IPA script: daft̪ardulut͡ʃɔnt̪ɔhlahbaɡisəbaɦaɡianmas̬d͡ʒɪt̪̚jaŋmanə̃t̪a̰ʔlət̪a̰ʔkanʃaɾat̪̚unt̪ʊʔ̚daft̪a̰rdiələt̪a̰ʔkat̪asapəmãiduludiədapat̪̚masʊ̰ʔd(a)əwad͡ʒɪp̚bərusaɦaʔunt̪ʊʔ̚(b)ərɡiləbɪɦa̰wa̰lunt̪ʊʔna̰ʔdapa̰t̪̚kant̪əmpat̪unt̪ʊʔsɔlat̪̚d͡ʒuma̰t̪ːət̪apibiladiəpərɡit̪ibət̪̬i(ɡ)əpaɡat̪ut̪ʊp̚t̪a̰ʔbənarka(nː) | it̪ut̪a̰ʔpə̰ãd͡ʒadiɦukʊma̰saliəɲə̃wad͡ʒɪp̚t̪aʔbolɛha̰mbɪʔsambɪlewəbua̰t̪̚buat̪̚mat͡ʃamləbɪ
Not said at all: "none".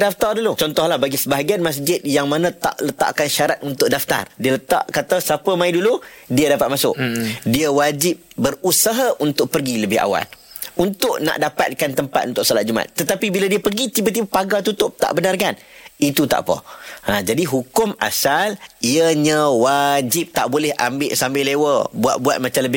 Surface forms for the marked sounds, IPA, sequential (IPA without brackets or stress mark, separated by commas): i, p, b, n